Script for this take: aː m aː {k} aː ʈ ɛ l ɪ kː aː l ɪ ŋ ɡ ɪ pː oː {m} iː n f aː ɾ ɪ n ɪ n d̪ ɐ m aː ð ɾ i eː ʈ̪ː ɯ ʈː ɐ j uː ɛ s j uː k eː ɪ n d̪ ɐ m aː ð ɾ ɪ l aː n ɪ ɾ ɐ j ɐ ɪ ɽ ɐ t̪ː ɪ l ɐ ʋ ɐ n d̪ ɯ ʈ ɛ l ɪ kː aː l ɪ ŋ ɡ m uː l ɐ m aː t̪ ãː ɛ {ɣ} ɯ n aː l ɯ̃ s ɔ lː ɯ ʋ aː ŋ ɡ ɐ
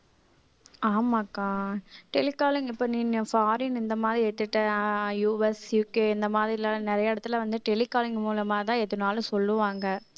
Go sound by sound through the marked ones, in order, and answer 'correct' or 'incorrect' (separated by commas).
correct, incorrect, incorrect